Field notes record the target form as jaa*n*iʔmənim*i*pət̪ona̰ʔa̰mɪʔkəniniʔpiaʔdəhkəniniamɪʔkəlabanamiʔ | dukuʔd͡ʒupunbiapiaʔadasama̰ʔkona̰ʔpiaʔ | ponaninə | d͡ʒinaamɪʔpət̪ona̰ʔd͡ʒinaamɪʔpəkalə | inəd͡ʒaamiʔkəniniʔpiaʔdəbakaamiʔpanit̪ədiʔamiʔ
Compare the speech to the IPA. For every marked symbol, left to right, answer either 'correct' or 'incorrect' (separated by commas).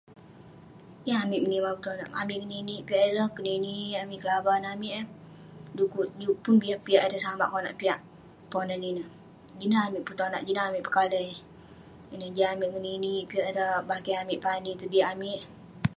incorrect, incorrect